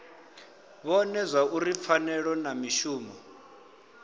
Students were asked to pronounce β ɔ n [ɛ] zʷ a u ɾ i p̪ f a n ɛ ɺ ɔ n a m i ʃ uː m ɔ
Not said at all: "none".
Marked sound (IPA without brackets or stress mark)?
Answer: ɛ